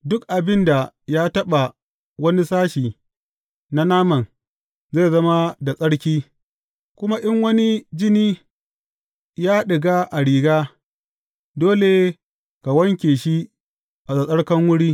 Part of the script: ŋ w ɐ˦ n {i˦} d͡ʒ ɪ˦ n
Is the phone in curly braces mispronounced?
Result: no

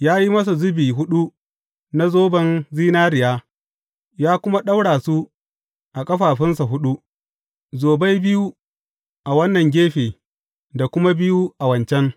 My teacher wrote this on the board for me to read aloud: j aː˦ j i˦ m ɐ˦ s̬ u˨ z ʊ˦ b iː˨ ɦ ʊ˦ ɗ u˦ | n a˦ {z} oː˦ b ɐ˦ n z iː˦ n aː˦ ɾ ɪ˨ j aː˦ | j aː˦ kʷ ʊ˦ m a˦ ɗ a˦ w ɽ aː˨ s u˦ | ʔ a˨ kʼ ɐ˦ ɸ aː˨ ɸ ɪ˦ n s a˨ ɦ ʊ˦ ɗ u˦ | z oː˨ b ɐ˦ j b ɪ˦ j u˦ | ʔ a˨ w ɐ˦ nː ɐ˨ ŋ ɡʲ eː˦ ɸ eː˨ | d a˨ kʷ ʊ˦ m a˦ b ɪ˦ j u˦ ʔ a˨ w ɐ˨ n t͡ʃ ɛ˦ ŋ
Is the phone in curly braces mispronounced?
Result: no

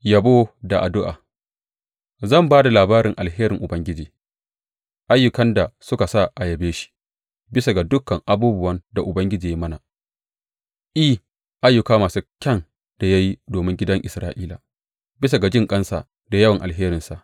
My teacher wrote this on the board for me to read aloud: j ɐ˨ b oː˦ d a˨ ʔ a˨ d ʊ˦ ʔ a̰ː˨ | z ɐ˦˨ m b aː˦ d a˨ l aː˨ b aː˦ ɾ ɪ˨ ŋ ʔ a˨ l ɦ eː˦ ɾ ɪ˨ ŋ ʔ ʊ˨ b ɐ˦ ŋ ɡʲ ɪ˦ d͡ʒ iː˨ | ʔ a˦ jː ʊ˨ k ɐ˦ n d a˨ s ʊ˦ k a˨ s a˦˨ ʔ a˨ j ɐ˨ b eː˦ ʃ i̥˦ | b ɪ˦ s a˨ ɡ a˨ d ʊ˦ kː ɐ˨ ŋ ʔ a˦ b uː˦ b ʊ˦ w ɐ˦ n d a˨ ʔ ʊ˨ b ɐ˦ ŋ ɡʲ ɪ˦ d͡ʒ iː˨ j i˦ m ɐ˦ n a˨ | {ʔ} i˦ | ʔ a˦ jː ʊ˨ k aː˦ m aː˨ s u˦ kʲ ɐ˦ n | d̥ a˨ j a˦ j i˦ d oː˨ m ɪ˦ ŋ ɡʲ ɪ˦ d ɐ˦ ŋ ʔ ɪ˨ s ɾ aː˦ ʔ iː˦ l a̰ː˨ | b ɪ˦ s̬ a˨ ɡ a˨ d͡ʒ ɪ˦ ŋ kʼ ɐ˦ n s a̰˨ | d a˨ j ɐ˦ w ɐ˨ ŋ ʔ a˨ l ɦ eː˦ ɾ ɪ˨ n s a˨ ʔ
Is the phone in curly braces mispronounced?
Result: no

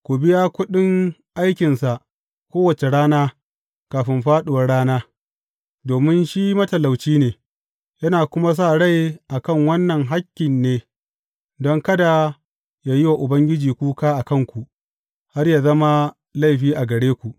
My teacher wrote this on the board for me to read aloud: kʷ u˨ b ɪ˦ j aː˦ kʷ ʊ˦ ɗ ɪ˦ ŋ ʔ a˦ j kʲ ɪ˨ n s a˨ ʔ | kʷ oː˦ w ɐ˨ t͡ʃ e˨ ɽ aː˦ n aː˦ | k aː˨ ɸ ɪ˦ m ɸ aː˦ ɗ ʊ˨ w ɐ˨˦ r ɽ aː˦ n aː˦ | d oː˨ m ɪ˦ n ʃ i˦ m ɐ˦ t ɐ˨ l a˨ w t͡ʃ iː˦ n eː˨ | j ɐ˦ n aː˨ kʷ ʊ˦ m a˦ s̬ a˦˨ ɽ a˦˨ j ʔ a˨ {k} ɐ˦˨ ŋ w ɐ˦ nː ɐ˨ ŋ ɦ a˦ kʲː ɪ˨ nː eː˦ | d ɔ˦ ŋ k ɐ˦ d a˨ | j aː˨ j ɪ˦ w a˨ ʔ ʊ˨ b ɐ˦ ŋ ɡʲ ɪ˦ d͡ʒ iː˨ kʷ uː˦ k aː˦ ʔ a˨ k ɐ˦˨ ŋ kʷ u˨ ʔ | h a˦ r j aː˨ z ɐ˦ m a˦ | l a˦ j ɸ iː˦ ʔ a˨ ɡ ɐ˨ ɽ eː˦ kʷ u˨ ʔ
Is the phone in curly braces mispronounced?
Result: no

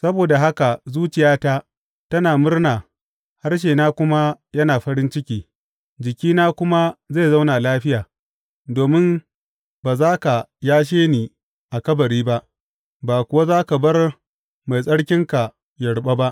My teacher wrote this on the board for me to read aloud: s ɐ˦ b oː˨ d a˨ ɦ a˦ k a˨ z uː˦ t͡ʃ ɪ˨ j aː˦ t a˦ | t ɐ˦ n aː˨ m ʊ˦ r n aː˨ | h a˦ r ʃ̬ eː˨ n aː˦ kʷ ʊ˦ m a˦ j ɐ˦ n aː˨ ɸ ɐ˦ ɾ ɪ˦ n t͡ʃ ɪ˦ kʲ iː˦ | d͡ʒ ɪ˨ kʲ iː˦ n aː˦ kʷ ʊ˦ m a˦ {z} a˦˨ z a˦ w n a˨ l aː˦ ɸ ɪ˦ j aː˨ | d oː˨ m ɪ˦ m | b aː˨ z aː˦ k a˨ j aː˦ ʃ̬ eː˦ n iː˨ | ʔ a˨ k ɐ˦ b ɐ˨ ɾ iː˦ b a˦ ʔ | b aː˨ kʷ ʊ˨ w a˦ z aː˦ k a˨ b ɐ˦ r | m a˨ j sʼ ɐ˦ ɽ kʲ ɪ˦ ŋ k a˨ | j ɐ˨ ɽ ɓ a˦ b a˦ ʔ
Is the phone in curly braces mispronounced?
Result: no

